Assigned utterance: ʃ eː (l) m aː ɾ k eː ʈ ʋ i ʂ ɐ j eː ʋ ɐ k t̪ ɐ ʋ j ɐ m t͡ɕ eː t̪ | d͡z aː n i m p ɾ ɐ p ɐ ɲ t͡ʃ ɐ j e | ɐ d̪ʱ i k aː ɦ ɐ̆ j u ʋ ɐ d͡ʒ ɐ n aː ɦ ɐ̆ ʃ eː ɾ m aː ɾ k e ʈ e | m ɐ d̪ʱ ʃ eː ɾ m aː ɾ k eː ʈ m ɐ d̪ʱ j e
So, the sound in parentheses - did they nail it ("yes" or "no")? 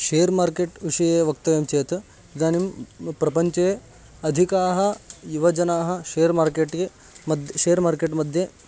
no